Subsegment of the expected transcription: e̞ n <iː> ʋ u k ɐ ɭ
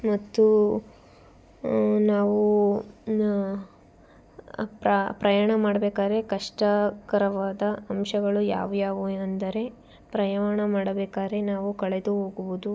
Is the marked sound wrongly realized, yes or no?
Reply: yes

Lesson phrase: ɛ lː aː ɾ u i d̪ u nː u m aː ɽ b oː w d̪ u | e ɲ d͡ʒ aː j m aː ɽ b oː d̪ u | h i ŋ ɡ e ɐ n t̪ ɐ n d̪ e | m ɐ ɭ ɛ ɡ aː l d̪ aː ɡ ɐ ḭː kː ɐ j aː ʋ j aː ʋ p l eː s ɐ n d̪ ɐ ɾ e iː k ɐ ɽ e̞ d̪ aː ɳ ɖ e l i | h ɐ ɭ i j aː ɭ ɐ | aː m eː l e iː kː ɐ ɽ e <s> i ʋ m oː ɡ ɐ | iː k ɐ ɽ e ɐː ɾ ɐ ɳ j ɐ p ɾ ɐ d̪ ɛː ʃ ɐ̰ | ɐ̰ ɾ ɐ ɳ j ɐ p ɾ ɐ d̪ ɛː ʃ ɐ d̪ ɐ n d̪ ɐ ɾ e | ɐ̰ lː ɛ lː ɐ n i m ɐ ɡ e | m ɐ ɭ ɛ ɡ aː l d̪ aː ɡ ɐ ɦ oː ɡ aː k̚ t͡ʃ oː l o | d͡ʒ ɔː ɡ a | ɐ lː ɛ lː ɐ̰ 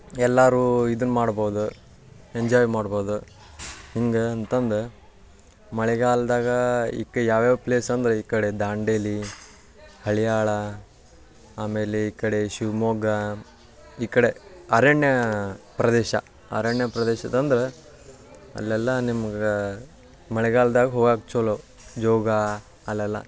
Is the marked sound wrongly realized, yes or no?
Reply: yes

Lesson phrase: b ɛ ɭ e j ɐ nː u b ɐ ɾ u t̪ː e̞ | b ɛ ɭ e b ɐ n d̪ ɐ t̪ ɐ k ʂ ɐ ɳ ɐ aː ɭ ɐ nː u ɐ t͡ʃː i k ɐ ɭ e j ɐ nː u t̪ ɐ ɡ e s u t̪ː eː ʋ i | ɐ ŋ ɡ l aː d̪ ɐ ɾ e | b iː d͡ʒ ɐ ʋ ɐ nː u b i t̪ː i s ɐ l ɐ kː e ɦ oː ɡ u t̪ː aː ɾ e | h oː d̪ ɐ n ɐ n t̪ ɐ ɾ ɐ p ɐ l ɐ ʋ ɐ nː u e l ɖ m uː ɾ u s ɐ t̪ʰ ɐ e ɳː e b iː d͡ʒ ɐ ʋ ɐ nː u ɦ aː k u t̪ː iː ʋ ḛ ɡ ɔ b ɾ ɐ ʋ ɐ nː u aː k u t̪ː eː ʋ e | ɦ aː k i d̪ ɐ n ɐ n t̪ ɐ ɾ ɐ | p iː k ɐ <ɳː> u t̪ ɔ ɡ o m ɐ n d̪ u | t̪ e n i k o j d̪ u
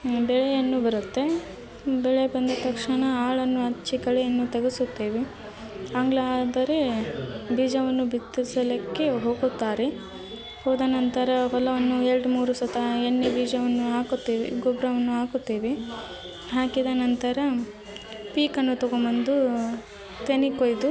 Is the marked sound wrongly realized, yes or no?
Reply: yes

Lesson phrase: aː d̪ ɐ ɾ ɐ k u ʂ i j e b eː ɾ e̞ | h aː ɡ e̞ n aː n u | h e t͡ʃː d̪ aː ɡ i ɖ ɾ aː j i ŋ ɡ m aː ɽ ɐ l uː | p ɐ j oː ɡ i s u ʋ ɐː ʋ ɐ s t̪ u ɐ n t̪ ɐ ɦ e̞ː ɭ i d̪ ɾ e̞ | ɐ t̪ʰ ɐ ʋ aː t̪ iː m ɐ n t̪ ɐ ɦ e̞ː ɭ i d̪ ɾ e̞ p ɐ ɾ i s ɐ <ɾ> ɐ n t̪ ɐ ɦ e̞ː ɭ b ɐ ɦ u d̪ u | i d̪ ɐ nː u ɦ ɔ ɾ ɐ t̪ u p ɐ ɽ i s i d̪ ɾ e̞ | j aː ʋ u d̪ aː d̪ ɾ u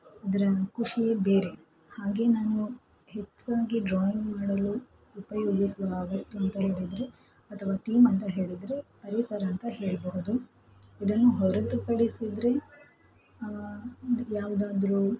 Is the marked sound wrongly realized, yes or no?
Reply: no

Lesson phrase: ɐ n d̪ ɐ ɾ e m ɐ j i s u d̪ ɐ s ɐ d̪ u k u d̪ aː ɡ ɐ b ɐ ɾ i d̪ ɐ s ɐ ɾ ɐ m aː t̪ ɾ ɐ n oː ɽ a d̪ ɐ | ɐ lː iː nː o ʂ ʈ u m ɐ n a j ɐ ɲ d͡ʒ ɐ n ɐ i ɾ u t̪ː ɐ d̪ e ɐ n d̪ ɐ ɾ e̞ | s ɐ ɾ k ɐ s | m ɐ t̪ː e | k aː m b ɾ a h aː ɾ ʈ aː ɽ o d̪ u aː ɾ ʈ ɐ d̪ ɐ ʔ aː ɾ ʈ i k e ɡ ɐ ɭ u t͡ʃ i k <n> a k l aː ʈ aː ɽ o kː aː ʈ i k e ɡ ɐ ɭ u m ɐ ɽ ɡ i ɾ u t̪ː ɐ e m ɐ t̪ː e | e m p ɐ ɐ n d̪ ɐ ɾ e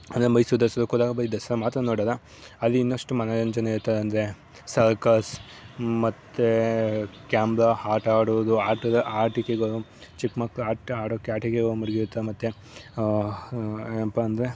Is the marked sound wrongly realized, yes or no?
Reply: yes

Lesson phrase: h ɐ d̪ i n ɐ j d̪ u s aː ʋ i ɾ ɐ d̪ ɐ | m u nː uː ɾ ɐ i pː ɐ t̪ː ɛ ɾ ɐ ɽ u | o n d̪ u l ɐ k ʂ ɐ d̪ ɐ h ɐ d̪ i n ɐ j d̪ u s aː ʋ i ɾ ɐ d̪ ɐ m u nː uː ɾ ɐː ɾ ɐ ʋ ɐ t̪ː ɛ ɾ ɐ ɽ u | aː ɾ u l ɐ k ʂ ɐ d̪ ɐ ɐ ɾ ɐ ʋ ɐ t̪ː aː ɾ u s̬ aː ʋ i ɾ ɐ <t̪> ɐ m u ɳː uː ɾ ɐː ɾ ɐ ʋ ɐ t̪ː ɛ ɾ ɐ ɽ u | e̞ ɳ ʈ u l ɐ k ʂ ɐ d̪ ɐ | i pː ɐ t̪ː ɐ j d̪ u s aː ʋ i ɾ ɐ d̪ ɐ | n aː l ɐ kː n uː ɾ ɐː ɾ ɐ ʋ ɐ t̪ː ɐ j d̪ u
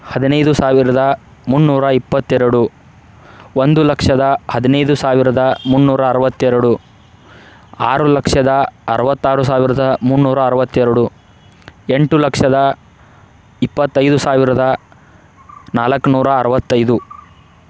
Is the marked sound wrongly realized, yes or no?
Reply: yes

